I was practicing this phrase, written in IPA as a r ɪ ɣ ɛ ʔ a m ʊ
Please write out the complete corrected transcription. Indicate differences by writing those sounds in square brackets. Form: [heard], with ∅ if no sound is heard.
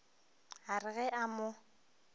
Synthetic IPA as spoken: a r ɪ ɣ ɛ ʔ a m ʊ